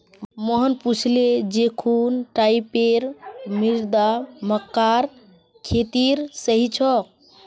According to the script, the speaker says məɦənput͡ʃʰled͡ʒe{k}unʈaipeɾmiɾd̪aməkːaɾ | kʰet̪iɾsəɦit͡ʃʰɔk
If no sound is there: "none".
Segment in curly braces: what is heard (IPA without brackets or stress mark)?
kʰ